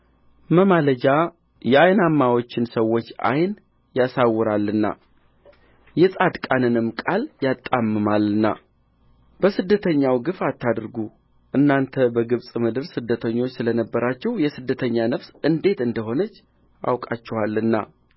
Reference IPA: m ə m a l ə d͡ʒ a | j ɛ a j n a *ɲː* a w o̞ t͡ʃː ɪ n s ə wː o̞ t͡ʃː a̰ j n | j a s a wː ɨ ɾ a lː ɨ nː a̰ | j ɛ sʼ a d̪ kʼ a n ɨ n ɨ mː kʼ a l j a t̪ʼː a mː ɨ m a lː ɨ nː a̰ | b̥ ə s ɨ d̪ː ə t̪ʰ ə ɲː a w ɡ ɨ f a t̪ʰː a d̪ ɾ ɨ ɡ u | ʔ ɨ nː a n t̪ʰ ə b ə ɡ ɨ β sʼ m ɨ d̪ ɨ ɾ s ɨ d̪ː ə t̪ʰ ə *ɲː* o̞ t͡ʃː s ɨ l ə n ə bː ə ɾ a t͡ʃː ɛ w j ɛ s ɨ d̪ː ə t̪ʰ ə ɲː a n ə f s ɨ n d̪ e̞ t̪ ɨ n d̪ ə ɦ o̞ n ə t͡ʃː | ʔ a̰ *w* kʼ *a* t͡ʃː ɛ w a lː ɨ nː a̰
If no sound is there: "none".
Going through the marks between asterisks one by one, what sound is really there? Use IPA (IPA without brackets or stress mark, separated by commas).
mː, ɲː, w, a